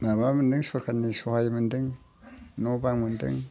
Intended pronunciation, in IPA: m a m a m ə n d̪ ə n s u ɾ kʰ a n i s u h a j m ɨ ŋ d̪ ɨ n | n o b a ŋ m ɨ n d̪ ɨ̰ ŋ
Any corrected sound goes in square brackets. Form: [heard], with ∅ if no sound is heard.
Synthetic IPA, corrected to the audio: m a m a m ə n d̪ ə [ŋ] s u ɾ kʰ a n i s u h a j m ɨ [n] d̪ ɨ [ŋ] | n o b a ŋ m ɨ n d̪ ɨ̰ ŋ